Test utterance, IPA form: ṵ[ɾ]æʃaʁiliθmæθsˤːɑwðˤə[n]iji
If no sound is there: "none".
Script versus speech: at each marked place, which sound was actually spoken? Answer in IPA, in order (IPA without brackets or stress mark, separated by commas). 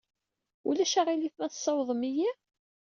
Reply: l, m